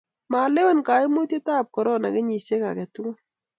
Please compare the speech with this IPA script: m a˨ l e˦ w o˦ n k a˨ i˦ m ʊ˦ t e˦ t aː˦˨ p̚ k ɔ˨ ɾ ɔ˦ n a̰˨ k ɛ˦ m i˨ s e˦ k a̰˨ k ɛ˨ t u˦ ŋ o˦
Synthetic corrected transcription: m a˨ l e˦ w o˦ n k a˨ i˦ m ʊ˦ t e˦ t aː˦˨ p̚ k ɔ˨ ɾ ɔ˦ n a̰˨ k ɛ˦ ɲ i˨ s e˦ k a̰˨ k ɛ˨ t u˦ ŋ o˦